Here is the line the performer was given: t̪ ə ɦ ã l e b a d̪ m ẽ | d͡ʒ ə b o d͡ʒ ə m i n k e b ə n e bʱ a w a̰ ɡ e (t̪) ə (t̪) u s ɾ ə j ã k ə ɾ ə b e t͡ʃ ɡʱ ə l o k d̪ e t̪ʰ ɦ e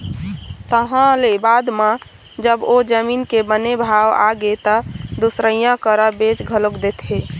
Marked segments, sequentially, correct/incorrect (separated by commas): correct, incorrect